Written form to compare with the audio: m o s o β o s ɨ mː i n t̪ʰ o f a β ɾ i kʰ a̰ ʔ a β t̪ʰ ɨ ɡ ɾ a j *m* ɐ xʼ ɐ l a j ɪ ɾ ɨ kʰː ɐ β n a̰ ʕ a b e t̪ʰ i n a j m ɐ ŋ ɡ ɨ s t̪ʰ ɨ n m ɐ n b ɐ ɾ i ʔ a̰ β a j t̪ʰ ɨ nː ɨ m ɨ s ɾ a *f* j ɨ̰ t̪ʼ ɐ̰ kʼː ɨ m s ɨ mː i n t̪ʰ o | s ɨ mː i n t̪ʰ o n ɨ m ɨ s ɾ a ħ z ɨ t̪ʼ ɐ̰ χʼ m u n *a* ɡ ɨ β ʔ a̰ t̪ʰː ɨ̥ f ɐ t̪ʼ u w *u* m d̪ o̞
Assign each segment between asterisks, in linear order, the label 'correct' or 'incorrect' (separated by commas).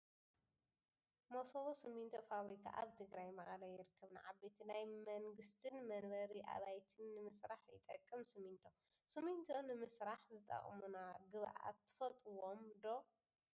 correct, incorrect, correct, incorrect